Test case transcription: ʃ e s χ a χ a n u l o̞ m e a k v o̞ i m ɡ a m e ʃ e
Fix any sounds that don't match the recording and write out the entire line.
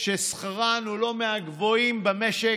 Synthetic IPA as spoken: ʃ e s χ a ʁ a n u l o̞ m e a ɡ v o̞ i m b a m e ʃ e